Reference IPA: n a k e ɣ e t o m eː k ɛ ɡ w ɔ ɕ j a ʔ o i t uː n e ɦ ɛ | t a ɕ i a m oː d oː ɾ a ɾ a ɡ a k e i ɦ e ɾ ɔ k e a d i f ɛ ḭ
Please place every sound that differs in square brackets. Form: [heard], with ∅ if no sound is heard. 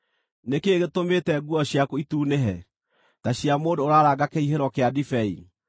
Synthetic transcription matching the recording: n [e] k e ɣ e t o m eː [t] ɛ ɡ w ɔ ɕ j a [k] o i t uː n e ɦ ɛ | t a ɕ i a m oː d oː ɾ a ɾ a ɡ a k e i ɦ e ɾ ɔ k e a d i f ɛ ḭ